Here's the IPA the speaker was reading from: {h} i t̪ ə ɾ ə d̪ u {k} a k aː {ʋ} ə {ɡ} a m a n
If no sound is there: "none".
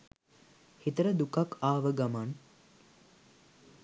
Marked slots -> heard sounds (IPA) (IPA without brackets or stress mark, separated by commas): h, k, ʋ, ɡ